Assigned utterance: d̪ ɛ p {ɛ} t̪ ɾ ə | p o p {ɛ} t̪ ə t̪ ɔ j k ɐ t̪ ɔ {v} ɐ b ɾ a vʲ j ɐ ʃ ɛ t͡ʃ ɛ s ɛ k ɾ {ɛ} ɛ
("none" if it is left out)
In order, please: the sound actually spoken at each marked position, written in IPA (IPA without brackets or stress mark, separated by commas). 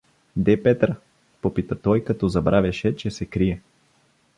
ɛ, i, z, i